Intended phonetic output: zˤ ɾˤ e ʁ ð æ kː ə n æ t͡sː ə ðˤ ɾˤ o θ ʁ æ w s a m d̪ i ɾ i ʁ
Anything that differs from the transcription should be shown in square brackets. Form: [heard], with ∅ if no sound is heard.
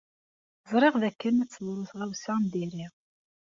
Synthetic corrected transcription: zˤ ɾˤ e ʁ ð æ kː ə n æ t͡sː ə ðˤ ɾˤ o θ ʁ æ w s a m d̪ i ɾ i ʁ